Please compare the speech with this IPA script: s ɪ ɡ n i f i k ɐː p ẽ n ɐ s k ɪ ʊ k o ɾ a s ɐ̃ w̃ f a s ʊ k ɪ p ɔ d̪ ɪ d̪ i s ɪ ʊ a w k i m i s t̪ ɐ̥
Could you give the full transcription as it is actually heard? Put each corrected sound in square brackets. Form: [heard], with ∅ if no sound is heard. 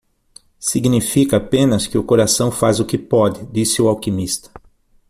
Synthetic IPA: s [i] ɡ n i f i k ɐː p ẽ n ɐ s k ɪ ʊ k o ɾ a s ɐ̃ w̃ f a [z] ʊ k ɪ p ɔ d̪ ɪ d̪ i s ɪ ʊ a w k i m i s t̪ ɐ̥